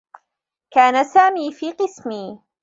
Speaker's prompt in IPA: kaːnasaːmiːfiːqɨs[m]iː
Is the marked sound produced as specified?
yes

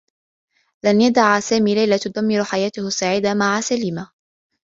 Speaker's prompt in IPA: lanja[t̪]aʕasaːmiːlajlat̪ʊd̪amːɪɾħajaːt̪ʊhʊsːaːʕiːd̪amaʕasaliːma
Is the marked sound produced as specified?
no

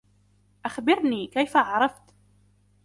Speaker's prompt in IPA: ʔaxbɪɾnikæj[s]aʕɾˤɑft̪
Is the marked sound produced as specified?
no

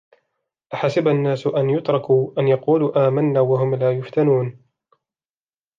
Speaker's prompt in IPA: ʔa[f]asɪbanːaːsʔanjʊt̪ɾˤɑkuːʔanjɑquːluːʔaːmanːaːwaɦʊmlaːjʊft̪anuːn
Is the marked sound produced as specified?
no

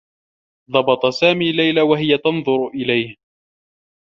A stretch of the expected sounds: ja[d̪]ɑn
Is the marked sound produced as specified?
no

